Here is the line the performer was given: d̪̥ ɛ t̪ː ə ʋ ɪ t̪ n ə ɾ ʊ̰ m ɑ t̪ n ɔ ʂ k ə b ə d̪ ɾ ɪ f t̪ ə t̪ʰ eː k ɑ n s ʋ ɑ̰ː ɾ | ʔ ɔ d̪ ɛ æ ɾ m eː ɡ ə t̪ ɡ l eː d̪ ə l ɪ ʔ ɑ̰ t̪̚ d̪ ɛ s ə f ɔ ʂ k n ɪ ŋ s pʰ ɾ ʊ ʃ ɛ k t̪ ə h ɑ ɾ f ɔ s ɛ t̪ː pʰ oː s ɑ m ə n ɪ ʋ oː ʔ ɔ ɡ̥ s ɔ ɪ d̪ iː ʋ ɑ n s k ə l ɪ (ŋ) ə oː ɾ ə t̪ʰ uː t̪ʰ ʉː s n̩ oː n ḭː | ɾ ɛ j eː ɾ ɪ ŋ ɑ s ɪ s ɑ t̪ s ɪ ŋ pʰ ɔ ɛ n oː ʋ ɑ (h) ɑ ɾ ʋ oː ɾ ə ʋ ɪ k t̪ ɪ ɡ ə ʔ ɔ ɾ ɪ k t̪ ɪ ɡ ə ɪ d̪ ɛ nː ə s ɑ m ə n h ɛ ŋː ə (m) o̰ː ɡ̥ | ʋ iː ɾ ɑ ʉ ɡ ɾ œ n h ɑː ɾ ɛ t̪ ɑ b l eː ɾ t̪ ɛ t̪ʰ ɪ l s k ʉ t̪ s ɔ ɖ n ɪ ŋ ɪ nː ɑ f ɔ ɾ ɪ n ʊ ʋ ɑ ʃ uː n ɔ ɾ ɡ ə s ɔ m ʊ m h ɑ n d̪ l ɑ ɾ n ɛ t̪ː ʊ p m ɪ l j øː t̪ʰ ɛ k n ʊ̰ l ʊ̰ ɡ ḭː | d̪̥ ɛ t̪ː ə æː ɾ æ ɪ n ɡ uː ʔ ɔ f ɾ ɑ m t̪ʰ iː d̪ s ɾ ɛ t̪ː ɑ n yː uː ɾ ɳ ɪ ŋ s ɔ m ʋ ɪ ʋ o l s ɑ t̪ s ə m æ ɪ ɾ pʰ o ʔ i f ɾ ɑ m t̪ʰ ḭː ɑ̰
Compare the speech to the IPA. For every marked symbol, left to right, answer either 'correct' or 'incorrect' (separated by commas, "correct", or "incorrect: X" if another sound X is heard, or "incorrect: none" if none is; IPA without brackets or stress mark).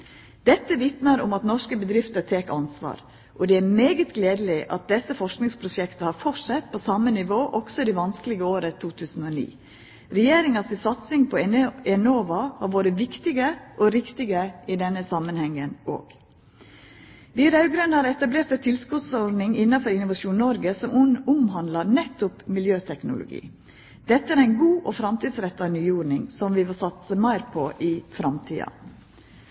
incorrect: ɡ, correct, incorrect: n